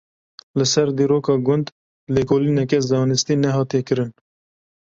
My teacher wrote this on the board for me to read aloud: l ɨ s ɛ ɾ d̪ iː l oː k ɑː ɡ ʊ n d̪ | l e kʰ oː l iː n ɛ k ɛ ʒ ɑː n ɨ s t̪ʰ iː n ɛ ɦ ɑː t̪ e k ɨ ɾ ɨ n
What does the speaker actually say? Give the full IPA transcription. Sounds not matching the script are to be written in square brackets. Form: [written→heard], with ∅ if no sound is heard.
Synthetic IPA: l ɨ s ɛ ɾ d̪ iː [l→ɾ] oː k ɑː ɡ ʊ n d̪ | l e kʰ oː l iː n ɛ k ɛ [ʒ→z] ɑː n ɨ s [t̪ʰ→t̪] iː n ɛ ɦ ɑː t̪ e k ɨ ɾ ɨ n